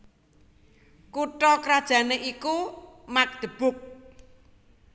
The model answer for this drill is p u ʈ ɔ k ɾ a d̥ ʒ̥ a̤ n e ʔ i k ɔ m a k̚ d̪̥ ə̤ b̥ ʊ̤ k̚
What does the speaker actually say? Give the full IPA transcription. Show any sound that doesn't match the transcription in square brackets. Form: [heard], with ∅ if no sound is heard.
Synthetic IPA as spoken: [k] u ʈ ɔ k ɾ a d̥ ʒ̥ a̤ n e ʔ i k [u] m a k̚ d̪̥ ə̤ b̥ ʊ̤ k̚